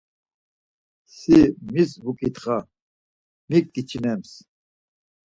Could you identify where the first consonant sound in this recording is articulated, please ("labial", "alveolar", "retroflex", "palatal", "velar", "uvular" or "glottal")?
alveolar